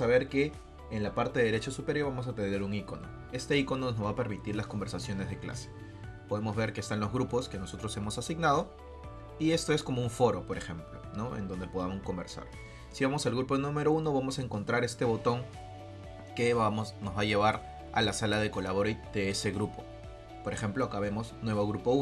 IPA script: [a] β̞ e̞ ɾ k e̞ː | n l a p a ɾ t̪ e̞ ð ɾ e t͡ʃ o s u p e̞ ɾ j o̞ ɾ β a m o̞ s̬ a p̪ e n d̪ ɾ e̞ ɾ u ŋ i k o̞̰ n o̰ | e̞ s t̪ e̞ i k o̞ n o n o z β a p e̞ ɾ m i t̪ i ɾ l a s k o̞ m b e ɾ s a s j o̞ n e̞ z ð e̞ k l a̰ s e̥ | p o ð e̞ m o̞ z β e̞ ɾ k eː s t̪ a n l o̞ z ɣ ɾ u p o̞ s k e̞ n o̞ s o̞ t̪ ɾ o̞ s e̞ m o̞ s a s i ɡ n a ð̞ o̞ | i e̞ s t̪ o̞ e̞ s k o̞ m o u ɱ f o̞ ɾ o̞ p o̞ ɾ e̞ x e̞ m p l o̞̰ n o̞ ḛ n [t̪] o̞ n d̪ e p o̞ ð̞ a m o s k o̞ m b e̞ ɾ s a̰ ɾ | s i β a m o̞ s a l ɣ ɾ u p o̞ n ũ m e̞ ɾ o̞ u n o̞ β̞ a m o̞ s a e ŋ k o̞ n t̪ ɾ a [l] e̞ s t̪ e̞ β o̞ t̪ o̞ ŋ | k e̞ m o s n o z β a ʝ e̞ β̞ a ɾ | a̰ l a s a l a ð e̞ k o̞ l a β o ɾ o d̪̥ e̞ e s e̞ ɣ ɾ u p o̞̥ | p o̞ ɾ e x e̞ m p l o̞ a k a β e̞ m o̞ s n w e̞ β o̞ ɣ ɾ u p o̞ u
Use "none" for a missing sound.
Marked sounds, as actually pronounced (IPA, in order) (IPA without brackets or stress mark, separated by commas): a, d̪, ɾ